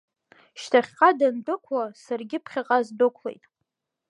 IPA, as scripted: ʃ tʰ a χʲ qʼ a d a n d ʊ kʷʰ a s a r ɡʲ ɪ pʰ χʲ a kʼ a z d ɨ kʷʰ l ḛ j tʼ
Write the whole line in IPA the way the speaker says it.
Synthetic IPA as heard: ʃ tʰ a χʲ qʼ a d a n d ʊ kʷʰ a s a r ɡʲ ɪ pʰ χʲ a qʼ a z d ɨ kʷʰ l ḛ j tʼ